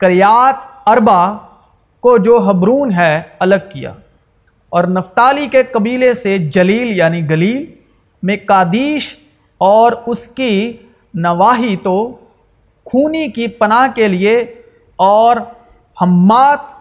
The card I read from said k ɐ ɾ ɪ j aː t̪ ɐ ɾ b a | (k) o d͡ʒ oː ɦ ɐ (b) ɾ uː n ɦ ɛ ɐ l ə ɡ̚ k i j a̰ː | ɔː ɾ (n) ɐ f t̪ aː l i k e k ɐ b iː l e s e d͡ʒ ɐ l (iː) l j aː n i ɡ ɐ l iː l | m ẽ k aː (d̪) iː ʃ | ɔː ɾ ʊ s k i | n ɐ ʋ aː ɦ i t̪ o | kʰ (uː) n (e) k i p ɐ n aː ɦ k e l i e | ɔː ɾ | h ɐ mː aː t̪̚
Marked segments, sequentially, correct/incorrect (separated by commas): correct, correct, correct, correct, correct, correct, incorrect